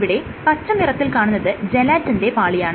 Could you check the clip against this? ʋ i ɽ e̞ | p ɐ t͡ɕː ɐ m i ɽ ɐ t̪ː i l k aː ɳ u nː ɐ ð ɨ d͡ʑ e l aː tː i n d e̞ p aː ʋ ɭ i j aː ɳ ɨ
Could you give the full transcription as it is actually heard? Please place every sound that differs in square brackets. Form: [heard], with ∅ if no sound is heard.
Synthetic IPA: ʋ i ɽ e̞ | p ɐ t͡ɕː ɐ m i [r] ɐ t̪ː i l k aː ɳ u nː ɐ ð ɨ d͡ʑ e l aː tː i n d e̞ p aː [∅] ɭ i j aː ɳ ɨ